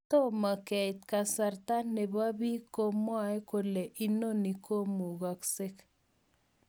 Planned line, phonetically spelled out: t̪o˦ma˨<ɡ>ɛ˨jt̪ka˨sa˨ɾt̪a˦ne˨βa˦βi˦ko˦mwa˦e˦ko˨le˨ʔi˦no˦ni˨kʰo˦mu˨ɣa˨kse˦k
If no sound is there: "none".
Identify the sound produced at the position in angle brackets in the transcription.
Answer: k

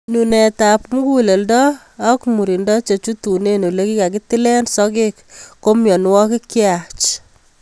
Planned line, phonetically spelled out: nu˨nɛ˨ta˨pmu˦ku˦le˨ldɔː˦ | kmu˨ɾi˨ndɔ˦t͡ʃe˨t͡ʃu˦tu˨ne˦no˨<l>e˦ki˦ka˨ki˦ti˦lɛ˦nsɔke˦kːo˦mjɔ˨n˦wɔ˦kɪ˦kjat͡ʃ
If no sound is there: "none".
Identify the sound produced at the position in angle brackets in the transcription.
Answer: l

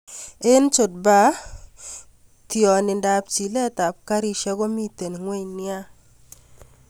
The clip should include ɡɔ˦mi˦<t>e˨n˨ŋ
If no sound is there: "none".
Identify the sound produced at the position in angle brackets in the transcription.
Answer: t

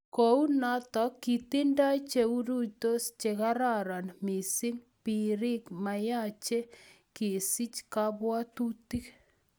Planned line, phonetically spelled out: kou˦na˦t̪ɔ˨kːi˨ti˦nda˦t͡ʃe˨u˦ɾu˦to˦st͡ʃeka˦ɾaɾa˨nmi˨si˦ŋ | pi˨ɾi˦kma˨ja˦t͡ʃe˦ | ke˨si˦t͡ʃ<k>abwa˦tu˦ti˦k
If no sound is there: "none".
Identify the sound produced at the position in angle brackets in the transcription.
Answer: k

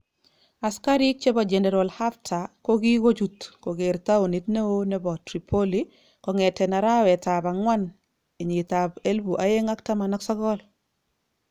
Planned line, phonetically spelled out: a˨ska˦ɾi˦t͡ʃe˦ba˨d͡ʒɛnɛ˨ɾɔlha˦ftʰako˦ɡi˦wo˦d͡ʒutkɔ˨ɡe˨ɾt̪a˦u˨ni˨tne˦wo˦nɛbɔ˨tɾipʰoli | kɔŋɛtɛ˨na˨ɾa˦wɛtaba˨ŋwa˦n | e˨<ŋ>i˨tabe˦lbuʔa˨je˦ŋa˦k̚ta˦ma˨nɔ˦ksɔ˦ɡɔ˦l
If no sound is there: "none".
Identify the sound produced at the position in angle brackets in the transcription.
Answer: ɲ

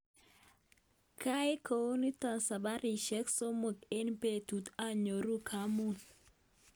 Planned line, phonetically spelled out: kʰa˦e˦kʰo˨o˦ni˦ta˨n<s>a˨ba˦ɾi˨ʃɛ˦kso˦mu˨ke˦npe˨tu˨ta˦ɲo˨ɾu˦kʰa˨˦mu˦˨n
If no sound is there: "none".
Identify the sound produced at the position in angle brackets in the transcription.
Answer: s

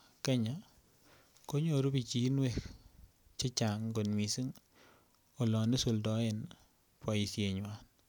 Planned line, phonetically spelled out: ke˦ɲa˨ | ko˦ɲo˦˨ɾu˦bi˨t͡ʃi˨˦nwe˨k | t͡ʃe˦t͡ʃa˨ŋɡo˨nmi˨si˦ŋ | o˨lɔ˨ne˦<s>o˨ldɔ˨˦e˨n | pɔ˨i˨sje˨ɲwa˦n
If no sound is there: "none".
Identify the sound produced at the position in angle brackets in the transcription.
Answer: s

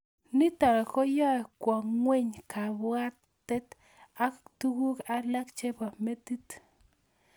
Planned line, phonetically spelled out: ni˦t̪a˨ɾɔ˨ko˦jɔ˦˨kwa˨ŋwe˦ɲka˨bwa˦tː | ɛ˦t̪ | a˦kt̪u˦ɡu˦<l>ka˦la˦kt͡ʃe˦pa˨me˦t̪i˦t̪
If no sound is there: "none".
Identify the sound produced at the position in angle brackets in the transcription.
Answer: none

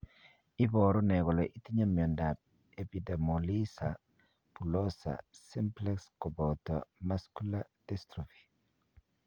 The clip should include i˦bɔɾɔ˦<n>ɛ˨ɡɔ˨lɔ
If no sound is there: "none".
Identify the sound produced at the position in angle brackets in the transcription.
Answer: n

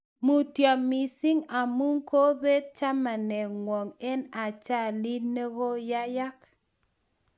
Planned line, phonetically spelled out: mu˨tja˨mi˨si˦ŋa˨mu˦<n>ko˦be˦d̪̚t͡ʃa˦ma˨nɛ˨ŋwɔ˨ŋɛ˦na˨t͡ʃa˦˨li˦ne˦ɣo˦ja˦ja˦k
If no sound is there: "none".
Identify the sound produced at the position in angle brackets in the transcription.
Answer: ŋ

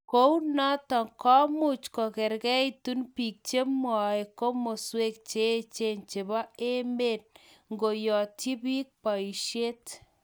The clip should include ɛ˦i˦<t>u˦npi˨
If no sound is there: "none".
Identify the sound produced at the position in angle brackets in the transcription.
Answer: t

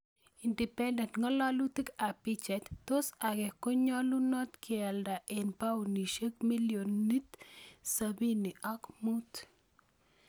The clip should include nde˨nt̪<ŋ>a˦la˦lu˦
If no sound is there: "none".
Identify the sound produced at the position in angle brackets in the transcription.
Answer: ŋ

